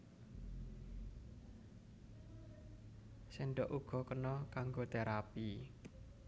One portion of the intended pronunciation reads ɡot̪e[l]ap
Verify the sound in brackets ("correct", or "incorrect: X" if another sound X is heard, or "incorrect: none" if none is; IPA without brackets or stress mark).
incorrect: ɾ